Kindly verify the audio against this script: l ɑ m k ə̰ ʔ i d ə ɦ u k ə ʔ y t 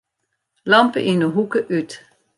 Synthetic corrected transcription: l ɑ m p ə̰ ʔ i n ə ɦ u k ə ʔ y t